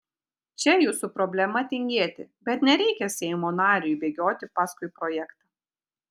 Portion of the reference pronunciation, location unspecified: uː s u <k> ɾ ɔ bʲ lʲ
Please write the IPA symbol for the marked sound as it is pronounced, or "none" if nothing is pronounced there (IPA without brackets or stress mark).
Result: p